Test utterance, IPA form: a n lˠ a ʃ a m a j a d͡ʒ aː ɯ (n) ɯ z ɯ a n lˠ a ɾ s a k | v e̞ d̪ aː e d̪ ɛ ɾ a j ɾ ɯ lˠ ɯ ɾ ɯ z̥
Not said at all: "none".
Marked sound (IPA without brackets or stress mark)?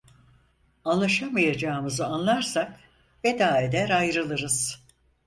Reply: m